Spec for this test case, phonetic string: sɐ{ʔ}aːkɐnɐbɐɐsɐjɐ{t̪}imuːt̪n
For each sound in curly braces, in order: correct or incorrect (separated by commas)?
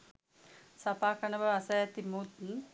incorrect, correct